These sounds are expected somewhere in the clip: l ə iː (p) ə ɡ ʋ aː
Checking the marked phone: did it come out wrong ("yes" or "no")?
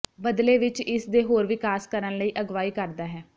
yes